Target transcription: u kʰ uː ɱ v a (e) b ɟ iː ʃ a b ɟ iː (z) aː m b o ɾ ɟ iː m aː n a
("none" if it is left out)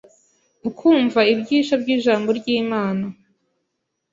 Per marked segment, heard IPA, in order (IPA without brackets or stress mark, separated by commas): i, ʒ